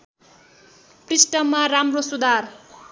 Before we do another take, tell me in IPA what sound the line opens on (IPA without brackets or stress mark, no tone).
p